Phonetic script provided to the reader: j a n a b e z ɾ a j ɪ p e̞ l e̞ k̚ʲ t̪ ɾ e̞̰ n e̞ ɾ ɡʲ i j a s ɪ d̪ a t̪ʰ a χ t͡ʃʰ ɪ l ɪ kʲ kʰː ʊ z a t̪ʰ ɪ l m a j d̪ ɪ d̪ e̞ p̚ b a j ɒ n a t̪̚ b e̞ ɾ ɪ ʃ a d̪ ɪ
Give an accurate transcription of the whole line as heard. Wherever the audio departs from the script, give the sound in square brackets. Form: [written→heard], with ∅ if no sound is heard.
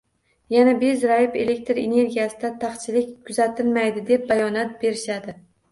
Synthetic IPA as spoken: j a n a b e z ɾ a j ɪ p e̞ l e̞ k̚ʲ t̪ ɾ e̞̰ n e̞ ɾ ɡʲ i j a s ɪ d̪ a t̪ʰ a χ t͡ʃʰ ɪ l ɪ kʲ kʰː ʊ z a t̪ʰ ɪ l m a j d̪ ɪ d̪ e̞ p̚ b a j ɒ n a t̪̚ b e̞ ɾ ɪ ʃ a d̪ ɪ

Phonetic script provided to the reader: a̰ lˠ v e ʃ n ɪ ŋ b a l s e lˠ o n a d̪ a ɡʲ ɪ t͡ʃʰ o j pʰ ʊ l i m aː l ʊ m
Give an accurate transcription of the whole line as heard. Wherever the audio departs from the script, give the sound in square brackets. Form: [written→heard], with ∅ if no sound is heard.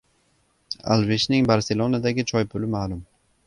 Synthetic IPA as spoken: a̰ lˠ v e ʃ n ɪ ŋ b a [l→ɾ] s e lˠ o n a d̪ a ɡʲ ɪ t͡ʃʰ [o→ɒ] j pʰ ʊ l [i→ɪ] m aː l ʊ m

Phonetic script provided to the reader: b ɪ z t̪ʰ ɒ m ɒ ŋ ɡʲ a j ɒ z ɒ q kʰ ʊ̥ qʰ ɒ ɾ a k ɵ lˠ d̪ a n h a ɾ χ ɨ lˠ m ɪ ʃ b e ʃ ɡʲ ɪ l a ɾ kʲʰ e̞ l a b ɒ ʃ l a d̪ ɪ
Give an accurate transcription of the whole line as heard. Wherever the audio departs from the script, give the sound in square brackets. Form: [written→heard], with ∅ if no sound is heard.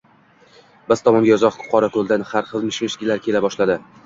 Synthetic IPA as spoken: b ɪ z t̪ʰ ɒ m ɒ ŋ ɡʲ a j ɒ z ɒ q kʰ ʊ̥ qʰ ɒ ɾ a k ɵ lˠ d̪ a n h a ɾ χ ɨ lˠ m ɪ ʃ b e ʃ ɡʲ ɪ l a ɾ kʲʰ e̞ l a b ɒ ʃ l a d̪ ɪ

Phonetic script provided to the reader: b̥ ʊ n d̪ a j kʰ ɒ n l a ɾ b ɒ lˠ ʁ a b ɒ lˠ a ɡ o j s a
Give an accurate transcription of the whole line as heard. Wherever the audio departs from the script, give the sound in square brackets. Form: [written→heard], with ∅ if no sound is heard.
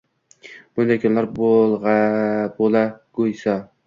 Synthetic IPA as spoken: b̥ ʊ n d̪ a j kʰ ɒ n l a ɾ b [ɒ→o] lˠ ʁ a b [ɒ→o] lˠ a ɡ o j s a

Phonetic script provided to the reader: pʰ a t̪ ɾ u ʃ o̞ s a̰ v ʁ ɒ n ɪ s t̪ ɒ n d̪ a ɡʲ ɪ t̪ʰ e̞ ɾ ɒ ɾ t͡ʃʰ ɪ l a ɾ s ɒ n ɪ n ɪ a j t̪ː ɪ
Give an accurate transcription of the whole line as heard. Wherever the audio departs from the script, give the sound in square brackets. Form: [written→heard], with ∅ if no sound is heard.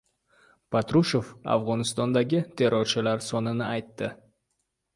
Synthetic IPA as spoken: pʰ a t̪ ɾ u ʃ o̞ [s→f] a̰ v ʁ ɒ n ɪ s t̪ ɒ n d̪ a ɡʲ ɪ t̪ʰ e̞ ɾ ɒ ɾ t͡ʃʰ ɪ l a ɾ s ɒ n ɪ n ɪ a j t̪ː ɪ

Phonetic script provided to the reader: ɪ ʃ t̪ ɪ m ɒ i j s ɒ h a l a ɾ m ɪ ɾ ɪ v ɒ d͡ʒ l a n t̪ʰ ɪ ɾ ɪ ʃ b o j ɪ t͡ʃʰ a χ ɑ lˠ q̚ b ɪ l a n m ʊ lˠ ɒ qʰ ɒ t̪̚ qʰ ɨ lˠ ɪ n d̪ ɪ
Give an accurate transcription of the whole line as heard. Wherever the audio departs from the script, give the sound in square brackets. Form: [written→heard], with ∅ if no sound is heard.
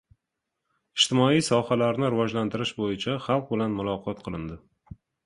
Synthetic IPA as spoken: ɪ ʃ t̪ ɪ m ɒ i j s ɒ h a l a ɾ [m→n] ɪ ɾ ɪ v ɒ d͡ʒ l a n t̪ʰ ɪ ɾ ɪ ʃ b o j ɪ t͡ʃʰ a χ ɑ lˠ q̚ b ɪ l a n m ʊ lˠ ɒ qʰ ɒ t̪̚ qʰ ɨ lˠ ɪ n d̪ ɪ

